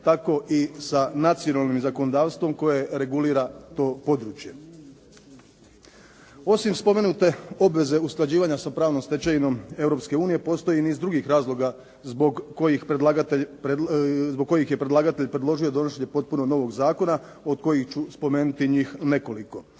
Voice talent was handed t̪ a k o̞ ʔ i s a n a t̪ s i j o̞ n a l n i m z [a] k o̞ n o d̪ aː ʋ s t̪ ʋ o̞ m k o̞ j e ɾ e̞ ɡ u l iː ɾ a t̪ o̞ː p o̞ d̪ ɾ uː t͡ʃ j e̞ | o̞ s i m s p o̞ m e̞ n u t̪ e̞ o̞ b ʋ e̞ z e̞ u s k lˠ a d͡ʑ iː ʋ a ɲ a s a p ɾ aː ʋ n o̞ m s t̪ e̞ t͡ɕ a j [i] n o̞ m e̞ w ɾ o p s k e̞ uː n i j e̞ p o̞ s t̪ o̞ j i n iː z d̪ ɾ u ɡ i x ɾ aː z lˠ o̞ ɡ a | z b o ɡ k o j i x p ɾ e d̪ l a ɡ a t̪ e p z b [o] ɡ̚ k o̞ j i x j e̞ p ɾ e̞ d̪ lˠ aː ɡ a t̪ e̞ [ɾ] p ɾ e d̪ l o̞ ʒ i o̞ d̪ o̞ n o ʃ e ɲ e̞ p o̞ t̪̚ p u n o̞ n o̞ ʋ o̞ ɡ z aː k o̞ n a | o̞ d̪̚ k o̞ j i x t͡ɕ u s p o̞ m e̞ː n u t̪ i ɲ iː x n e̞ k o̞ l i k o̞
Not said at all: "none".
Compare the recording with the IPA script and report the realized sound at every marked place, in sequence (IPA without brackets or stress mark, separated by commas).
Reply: a, i, o, ʎ